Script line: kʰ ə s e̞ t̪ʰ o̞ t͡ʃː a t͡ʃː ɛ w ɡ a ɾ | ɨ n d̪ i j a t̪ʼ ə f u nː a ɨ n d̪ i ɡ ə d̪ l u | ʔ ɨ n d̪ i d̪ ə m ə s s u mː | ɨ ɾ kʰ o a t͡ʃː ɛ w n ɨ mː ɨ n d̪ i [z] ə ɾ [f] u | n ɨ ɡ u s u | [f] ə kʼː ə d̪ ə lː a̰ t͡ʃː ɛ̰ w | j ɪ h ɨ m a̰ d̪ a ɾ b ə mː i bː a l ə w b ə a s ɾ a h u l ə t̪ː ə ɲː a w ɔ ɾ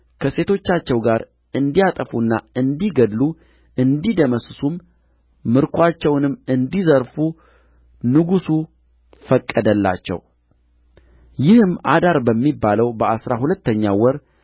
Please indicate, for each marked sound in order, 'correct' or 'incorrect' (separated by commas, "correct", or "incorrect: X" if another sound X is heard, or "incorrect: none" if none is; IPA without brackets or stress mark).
correct, correct, correct